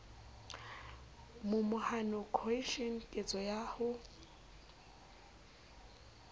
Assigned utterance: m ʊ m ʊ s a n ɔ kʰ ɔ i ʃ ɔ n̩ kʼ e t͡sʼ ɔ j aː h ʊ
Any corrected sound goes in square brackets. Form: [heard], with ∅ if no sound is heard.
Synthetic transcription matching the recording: m ʊ m ʊ [h] a n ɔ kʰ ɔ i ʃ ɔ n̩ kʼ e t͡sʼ ɔ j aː h ʊ